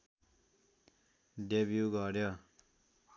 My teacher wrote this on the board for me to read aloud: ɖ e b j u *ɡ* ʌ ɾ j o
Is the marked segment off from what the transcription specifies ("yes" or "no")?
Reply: no